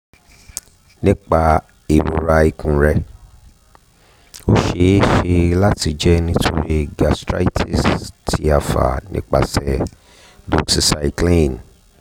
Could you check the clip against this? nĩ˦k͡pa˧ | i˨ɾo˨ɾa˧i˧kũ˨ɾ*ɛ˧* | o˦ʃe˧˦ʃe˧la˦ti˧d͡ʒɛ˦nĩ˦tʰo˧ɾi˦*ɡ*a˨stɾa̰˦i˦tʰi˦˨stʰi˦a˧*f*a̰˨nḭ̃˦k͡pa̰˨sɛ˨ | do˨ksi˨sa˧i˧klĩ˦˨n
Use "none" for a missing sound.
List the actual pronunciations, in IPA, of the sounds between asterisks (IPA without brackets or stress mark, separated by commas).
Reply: ɛ˧, ɡ, f